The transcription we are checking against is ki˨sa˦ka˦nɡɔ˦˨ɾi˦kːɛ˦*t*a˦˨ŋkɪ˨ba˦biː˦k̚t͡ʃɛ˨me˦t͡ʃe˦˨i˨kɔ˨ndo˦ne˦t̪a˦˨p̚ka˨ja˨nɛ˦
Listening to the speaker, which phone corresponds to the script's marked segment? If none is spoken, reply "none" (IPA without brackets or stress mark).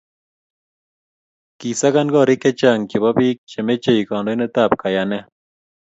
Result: t͡ʃ